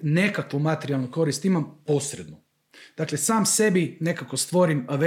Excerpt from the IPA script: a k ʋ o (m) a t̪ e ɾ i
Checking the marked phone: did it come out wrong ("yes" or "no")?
no